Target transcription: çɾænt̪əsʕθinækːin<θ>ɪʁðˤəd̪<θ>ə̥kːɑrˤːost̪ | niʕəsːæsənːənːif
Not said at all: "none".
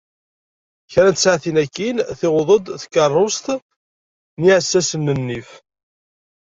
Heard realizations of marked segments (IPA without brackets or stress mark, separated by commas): θ, θ